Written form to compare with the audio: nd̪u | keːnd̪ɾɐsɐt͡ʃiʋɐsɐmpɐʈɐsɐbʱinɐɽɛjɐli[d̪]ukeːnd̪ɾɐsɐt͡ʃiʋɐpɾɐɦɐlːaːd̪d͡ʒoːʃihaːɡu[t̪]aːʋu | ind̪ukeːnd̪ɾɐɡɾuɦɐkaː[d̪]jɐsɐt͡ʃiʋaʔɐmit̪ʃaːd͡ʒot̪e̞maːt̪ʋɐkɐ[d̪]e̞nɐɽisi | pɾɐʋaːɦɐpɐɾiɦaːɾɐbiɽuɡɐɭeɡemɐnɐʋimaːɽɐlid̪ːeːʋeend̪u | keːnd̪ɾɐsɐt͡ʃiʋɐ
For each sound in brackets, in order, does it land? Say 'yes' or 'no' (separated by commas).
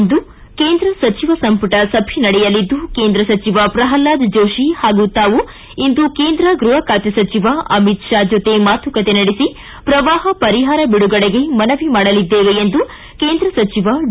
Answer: no, yes, no, no